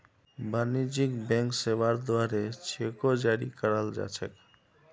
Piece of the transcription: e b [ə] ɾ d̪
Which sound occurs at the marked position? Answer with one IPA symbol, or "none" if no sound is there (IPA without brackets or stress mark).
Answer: a